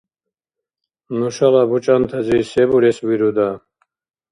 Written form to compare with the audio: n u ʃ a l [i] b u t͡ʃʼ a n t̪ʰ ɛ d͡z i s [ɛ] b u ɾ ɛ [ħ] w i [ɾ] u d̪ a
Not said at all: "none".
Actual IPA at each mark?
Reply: a, ɛ, s, ɾ

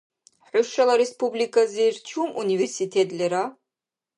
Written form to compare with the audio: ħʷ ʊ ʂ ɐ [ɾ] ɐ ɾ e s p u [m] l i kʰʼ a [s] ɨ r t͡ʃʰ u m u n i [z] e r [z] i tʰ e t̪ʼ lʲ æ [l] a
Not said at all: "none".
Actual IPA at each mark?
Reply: l, b, z, v, s, ɾ

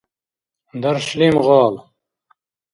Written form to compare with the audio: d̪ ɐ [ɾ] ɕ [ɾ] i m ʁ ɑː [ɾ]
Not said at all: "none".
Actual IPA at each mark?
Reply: ɾ, l, l

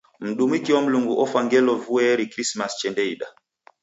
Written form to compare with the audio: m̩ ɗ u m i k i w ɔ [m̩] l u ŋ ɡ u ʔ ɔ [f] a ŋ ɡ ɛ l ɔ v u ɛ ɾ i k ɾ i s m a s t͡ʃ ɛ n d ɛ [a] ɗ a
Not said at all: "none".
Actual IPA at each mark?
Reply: m̩, f, i

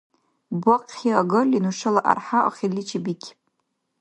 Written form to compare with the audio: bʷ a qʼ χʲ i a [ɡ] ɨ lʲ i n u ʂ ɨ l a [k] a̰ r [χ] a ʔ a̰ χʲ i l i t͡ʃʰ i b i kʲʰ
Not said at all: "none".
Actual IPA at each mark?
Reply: ɡ, ʔ, ħ

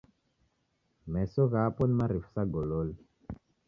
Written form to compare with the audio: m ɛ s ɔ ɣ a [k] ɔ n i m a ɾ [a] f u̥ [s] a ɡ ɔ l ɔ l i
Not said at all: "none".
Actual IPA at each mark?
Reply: p, i, s

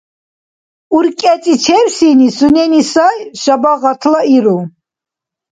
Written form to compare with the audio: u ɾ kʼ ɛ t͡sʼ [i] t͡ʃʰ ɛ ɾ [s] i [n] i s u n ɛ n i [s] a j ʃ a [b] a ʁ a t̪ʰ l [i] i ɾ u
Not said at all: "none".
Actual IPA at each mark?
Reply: i, s, n, s, b, a

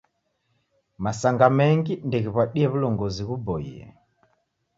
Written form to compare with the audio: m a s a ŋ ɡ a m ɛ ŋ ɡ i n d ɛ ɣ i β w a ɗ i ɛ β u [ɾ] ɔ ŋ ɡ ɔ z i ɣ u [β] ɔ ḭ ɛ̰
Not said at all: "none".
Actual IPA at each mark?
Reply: l, b

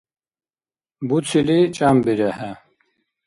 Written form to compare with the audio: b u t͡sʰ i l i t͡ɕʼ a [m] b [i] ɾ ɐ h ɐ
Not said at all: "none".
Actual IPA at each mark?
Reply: m, i

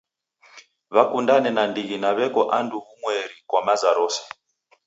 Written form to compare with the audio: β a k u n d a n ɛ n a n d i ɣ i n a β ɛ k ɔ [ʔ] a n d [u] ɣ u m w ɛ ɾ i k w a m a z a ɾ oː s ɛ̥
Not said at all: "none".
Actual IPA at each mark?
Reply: ʔ, u

